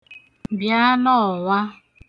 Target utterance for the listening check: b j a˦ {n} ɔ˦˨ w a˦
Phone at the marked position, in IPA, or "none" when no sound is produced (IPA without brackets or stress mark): n